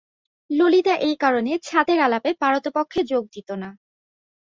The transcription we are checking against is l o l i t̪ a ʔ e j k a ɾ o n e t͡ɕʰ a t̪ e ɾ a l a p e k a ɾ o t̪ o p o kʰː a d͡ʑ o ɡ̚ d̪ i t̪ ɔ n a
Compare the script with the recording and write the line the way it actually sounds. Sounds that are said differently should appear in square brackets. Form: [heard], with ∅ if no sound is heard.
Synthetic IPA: l o l i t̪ a ʔ e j k a ɾ o n e t͡ɕʰ a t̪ e ɾ a l a p e [p] a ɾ o t̪ o p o kʰː [e] d͡ʑ o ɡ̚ d̪ i t̪ [o] n a